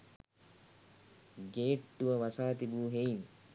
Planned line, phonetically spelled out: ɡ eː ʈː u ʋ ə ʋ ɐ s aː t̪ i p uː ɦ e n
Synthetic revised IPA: ɡ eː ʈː u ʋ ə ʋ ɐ s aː t̪ i b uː ɦ e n